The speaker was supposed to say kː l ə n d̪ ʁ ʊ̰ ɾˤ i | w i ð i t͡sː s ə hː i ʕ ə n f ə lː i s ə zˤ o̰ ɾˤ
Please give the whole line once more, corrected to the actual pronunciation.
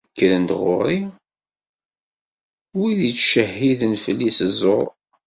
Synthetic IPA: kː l ə n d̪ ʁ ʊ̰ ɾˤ i | w i ð i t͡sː ʃ ə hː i ð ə n f ə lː i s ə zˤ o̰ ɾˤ